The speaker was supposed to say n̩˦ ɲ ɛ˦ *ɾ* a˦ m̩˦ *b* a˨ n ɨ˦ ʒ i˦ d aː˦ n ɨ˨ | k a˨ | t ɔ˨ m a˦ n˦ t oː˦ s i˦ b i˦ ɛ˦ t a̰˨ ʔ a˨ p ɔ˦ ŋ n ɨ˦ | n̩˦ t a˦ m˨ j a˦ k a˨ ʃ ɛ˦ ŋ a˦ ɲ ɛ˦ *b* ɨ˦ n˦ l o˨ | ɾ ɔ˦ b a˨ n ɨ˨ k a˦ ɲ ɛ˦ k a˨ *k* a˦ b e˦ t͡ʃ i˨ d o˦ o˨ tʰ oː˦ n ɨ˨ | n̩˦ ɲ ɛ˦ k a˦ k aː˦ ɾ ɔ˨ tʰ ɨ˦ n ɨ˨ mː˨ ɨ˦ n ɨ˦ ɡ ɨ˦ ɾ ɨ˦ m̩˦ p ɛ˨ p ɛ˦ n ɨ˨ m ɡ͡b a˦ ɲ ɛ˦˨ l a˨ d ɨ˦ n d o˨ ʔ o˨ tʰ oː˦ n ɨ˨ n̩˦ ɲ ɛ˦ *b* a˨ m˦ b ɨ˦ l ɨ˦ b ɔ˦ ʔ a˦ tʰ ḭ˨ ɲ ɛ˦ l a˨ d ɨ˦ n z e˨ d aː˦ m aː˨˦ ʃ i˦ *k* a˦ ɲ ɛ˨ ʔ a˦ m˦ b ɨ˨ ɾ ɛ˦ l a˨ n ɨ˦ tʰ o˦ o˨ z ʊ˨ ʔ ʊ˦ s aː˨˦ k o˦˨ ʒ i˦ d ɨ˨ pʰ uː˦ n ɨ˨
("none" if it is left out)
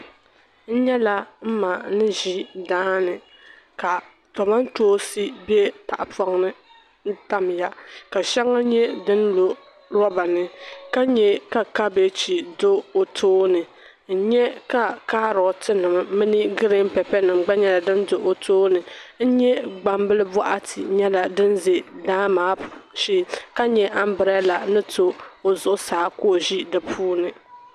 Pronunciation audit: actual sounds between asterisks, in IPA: l, m, d, k, ɡ͡b, k

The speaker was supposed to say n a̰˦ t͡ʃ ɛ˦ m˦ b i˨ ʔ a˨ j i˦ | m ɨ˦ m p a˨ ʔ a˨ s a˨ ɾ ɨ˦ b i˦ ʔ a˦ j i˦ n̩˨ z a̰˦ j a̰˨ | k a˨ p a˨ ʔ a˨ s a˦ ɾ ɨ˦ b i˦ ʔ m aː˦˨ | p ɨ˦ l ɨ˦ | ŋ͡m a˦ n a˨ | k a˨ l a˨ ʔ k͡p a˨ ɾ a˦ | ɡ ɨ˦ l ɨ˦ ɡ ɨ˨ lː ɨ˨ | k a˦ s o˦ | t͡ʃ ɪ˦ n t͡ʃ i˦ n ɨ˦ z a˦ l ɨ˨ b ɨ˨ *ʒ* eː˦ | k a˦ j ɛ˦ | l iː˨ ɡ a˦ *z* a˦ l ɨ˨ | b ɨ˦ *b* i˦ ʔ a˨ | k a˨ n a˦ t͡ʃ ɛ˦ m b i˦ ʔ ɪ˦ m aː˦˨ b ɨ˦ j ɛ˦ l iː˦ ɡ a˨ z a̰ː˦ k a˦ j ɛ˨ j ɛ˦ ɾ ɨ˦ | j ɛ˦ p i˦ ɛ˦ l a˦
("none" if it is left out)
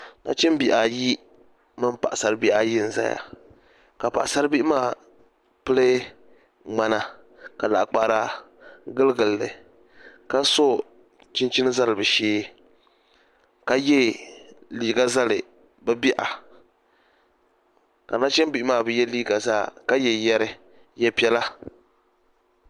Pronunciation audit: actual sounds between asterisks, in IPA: ʃ, z, b

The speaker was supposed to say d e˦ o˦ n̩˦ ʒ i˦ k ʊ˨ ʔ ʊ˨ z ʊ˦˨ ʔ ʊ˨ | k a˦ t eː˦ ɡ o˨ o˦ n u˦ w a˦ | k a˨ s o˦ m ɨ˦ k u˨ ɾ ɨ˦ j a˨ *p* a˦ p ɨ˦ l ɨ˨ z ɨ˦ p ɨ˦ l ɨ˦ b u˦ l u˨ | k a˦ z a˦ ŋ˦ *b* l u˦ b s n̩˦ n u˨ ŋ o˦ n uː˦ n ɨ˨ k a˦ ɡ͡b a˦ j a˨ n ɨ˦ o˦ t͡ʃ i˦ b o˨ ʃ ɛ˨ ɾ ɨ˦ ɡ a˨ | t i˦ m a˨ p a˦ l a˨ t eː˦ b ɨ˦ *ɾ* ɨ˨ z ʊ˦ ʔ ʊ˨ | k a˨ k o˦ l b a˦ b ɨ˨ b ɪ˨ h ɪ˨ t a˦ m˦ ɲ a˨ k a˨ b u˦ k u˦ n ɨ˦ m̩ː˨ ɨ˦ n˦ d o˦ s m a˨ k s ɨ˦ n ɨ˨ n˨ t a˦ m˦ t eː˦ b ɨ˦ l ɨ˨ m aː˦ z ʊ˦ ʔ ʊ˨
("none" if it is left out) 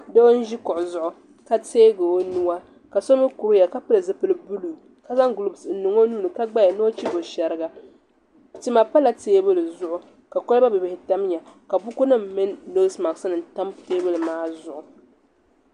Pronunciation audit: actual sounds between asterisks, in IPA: k, ɡ, l

